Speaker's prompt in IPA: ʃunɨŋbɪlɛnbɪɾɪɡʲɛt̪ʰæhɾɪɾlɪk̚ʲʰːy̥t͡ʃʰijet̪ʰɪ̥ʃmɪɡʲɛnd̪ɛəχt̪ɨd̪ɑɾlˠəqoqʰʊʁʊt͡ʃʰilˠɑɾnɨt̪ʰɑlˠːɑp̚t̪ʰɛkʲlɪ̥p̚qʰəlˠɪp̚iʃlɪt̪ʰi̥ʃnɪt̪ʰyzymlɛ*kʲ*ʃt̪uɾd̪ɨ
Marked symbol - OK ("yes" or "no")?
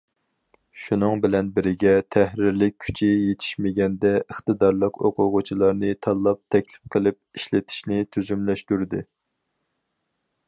no